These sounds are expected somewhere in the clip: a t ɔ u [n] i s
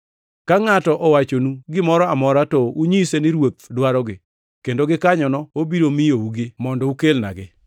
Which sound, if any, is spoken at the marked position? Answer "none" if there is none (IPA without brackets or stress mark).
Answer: ɲ